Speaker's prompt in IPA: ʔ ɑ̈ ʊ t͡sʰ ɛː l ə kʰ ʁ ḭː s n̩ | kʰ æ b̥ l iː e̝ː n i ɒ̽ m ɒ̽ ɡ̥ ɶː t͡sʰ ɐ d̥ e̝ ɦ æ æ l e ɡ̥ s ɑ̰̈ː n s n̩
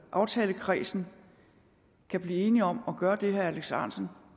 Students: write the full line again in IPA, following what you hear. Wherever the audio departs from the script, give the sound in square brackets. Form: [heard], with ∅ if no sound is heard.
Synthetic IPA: ʔ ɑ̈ ʊ t͡sʰ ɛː l ə kʰ ʁ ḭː s n̩ | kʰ æ b̥ l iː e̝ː n i ɒ̽ m ɒ̽ ɡ̥ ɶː [∅] ɐ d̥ e̝ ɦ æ æ l e ɡ̥ s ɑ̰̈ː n s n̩